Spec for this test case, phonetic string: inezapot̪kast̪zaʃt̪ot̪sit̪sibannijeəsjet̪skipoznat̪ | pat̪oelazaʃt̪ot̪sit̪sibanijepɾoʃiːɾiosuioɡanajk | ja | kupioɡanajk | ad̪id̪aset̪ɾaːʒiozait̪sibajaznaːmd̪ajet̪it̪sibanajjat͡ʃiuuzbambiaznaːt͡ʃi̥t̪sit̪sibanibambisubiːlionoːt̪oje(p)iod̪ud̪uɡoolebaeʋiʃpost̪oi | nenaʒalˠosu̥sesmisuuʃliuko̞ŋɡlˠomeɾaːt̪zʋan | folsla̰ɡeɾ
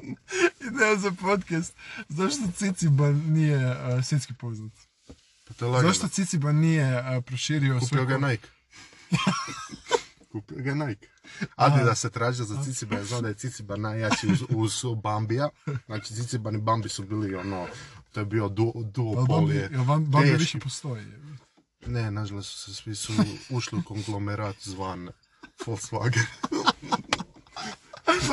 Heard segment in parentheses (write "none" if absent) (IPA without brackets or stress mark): b